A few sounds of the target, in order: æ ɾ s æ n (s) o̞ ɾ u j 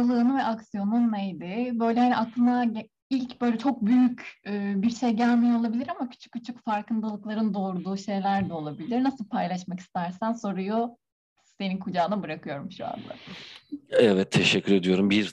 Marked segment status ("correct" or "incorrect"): correct